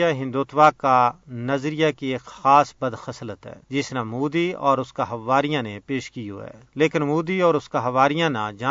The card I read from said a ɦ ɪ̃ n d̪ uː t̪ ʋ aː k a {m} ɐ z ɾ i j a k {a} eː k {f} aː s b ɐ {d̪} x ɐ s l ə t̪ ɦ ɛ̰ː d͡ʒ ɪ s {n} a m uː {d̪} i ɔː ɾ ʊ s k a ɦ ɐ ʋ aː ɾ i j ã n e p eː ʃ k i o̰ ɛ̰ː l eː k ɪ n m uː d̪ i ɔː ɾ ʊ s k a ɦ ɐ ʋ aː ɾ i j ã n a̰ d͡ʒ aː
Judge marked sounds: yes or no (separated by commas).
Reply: no, no, no, yes, yes, yes